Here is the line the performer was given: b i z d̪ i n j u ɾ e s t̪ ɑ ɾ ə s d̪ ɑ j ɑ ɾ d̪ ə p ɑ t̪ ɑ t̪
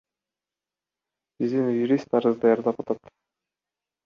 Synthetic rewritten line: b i z d̪ i n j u ɾ i s t̪ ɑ ɾ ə z d̪ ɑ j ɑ ɾ d̪ ɑ p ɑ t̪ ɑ t̪